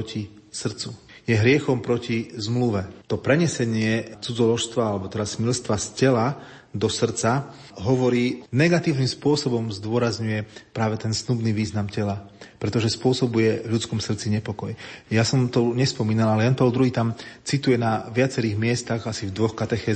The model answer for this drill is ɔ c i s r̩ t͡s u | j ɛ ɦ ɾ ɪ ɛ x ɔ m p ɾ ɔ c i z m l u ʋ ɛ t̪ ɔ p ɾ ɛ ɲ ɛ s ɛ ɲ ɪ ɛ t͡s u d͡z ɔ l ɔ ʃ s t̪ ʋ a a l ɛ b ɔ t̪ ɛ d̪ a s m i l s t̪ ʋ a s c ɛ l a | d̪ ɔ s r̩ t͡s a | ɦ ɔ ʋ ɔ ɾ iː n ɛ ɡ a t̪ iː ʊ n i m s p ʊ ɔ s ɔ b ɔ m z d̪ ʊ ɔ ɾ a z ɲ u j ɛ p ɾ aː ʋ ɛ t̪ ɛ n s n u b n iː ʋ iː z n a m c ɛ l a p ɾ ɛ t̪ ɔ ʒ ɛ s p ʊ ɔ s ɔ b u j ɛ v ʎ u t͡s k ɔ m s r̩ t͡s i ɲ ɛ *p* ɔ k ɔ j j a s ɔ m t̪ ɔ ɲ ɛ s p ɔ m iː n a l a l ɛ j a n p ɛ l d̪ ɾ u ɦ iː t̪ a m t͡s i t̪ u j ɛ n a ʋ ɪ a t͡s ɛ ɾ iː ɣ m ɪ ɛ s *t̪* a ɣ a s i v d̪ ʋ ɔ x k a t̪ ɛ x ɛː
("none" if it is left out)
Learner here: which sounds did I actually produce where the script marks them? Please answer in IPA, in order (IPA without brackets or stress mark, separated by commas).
p, t̪